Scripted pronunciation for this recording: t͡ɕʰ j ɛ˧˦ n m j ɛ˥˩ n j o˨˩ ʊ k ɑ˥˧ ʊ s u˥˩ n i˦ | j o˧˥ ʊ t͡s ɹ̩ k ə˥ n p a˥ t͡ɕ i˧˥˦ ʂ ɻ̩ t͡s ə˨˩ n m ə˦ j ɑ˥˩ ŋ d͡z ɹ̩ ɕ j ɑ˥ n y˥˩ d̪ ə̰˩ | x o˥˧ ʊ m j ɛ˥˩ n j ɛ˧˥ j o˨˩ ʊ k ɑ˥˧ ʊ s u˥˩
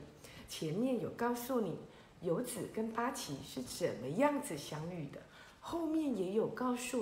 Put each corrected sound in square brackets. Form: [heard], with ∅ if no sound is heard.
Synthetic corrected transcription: t͡ɕʰ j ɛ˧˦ n m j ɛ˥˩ n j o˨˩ ʊ k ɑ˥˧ ʊ s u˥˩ n [i˨˩˦] | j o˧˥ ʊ t͡s ɹ̩ k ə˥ n p a˥ [t͡ɕʰ] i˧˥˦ ʂ ɻ̩ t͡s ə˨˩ n m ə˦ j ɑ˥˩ ŋ d͡z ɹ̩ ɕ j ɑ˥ [ŋ] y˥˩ d̪ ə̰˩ | x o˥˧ ʊ m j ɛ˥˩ n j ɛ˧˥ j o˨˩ ʊ k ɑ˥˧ ʊ s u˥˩